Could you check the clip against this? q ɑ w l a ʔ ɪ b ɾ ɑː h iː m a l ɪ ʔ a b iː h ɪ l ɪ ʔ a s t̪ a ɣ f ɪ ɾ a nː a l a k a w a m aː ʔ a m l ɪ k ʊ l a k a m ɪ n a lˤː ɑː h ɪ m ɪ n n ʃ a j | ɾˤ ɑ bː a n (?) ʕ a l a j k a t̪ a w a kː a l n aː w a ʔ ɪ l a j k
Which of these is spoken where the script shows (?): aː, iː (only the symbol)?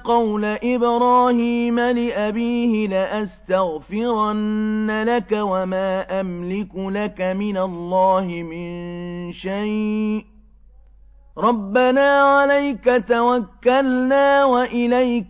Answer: aː